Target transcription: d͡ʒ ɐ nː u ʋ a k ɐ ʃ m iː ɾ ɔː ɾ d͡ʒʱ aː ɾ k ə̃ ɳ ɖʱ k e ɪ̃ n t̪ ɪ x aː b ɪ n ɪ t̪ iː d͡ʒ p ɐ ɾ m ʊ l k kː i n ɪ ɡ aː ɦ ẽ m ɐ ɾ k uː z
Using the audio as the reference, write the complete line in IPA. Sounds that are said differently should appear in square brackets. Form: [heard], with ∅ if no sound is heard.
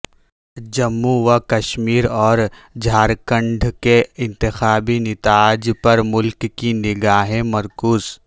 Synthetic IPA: d͡ʒ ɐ [mː] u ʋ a k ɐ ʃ m iː ɾ ɔː ɾ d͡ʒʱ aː ɾ k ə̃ ɳ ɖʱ k e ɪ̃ n t̪ ɪ x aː b [i] n ɪ t̪ [aː] d͡ʒ p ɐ ɾ m ʊ l k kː i n ɪ ɡ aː ɦ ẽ m ɐ ɾ k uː z